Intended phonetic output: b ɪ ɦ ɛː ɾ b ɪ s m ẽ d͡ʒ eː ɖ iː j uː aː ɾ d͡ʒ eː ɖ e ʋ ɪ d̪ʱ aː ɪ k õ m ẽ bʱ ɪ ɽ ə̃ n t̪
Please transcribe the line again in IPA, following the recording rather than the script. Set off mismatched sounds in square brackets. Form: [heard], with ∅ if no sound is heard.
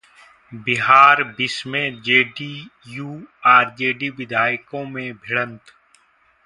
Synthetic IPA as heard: b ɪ ɦ [aː] ɾ b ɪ s m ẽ d͡ʒ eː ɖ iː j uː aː ɾ d͡ʒ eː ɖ [i] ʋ ɪ d̪ʱ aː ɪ k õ m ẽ bʱ ɪ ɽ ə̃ n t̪

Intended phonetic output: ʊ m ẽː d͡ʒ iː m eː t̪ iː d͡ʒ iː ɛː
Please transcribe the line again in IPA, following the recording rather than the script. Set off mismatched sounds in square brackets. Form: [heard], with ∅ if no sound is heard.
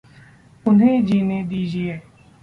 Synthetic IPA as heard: ʊ [n] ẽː d͡ʒ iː [n] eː [d̪] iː d͡ʒ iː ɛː

